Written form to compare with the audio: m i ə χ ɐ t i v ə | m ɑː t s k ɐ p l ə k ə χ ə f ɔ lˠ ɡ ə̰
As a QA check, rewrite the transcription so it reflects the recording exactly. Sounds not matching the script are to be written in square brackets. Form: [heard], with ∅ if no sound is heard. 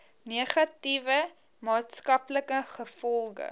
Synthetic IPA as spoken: [n] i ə χ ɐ t i v ə | m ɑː t s k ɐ p l ə k ə χ ə f ɔ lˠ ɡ ə̰